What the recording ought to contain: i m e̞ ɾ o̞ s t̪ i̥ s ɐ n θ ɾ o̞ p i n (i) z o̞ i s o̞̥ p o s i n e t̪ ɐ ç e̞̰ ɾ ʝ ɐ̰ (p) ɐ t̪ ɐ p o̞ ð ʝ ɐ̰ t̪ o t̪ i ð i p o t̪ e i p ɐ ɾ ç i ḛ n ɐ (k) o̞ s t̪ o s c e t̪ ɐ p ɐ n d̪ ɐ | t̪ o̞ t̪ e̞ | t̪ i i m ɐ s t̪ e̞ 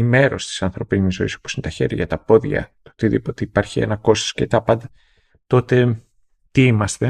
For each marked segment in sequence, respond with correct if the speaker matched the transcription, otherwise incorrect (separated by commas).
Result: correct, incorrect, correct